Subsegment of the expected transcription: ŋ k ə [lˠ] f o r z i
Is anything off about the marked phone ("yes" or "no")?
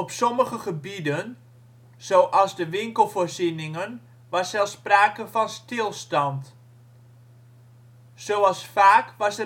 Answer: no